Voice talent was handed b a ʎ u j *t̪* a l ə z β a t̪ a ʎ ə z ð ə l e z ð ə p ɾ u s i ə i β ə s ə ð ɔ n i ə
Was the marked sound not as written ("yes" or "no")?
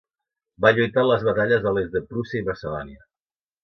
no